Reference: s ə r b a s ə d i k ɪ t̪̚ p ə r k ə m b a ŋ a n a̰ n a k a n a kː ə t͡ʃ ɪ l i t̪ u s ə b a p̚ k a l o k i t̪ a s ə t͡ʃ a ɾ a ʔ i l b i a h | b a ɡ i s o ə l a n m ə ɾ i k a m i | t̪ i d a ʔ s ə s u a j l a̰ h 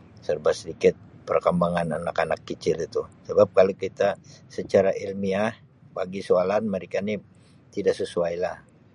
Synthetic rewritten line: s ə r b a s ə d i k ɪ t̪̚ p ə r k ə m b a ŋ a n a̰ n a k a n a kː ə t͡ʃ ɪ l i t̪ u s ə b a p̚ k a l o k i t̪ a s ə t͡ʃ a ɾ a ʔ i l m i a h | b a ɡ i s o a l a n m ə ɾ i k a n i | t̪ i d a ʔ s ə s u a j l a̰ h